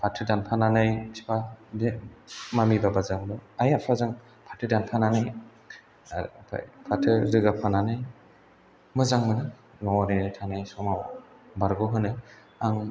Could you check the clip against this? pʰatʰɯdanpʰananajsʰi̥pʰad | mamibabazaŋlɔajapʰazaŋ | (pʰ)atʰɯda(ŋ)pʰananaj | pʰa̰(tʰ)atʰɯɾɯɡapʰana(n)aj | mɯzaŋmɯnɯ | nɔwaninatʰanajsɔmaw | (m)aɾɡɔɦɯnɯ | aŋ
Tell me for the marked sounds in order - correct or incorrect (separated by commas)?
correct, incorrect, incorrect, correct, incorrect